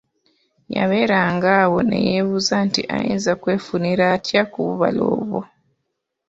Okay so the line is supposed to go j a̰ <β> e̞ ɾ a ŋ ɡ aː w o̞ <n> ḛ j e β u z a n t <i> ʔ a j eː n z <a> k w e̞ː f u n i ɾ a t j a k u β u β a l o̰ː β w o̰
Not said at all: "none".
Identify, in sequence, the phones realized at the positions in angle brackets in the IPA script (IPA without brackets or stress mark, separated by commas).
β, n, i, a